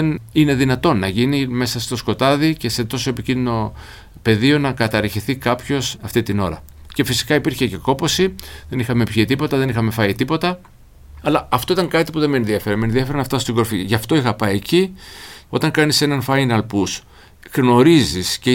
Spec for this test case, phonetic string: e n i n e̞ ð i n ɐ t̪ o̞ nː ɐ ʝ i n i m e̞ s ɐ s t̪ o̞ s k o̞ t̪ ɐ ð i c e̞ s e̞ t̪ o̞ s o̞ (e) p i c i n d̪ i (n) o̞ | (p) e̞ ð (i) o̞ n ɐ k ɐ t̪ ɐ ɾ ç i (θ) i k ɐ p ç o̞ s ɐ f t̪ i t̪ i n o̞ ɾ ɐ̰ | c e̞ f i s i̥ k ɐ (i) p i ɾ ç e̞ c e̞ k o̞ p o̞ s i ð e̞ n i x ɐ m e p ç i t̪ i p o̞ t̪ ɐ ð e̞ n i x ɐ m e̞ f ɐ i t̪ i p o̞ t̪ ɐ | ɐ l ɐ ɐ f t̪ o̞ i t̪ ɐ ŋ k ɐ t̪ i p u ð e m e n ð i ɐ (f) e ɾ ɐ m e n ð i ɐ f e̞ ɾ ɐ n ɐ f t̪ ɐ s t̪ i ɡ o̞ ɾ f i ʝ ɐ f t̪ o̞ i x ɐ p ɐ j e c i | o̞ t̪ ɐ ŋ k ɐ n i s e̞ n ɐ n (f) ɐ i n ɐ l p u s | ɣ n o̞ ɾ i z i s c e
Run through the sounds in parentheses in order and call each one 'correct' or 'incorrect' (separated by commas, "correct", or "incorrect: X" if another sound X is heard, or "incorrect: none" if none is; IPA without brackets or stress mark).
correct, correct, correct, correct, correct, correct, correct, correct